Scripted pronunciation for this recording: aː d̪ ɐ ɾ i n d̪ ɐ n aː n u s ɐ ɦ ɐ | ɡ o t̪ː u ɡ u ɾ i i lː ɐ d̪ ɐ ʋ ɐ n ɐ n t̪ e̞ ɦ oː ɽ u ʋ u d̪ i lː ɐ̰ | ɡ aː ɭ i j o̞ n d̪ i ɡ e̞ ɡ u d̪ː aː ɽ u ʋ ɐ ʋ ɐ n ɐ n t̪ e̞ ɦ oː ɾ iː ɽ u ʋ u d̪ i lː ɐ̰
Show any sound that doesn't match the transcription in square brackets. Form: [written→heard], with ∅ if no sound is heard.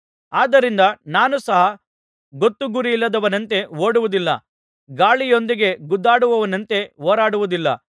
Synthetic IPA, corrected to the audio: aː d̪ ɐ ɾ i n d̪ ɐ n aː n u s ɐ ɦ ɐ | ɡ o t̪ː u ɡ u ɾ i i lː ɐ d̪ ɐ ʋ ɐ n ɐ n t̪ e̞ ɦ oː ɽ u ʋ u d̪ i lː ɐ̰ | ɡ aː ɭ i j o̞ n d̪ i ɡ e̞ ɡ u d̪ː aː ɽ u ʋ ɐ ʋ ɐ n ɐ n t̪ e̞ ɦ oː ɾ [iː→aː] ɽ u ʋ u d̪ i lː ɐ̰